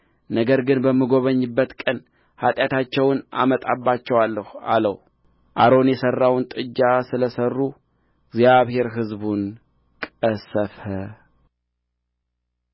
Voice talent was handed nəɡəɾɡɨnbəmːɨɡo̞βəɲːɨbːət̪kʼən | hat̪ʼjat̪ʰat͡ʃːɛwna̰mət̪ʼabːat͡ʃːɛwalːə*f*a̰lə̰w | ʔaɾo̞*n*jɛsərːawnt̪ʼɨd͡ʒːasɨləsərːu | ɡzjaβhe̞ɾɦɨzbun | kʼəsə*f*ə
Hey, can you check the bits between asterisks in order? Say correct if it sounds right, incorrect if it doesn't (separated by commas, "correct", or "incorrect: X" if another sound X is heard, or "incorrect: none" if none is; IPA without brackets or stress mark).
incorrect: h, correct, correct